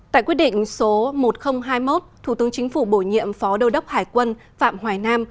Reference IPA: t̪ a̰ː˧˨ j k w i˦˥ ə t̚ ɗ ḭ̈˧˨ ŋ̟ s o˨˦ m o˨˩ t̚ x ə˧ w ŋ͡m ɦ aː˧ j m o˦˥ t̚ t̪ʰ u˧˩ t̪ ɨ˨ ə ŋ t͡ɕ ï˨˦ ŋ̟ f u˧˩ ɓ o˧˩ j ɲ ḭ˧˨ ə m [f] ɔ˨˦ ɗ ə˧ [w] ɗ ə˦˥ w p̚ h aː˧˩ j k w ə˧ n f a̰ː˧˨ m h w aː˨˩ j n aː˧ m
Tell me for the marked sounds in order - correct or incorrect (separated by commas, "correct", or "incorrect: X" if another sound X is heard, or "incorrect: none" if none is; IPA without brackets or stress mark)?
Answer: correct, correct